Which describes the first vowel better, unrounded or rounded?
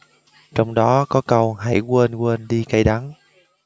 rounded